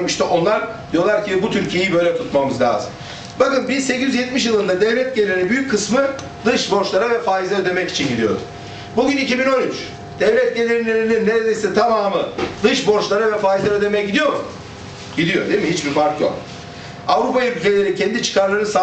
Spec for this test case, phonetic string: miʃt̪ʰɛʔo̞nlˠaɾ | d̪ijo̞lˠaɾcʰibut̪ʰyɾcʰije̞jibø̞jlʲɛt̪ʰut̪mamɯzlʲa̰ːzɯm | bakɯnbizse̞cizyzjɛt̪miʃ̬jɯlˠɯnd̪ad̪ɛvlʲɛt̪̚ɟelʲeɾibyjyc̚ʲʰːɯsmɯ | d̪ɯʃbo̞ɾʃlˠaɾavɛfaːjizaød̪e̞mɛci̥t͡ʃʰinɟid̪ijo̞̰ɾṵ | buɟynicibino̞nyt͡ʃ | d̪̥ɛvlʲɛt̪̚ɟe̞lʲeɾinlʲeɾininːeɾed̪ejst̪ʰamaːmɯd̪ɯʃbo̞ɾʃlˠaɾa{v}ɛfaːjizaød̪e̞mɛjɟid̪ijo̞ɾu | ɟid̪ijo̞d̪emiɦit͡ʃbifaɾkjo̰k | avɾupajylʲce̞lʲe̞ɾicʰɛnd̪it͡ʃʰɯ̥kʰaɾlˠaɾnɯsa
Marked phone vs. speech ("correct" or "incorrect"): correct